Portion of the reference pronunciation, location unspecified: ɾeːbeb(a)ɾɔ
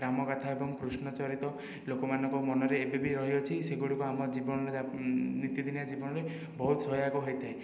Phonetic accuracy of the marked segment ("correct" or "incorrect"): incorrect